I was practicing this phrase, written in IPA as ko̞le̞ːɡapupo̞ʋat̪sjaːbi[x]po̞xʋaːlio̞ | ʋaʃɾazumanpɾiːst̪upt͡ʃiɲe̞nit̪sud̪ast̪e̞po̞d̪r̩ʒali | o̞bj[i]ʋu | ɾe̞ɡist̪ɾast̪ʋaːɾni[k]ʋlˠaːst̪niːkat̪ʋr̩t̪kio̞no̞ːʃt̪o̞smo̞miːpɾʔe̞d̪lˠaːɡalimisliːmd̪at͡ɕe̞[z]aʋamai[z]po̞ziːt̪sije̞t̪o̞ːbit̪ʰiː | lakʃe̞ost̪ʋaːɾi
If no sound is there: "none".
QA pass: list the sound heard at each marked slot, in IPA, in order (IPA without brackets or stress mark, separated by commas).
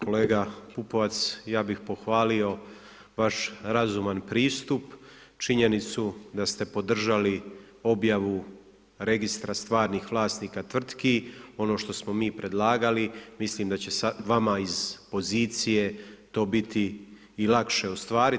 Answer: x, a, x, s, z